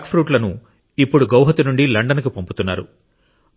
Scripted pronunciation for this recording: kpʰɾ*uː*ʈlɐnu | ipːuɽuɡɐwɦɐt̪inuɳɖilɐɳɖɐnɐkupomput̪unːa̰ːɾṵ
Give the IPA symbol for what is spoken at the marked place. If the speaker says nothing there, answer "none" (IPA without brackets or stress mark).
uː